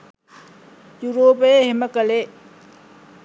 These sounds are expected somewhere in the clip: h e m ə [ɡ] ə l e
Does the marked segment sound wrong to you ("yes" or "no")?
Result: yes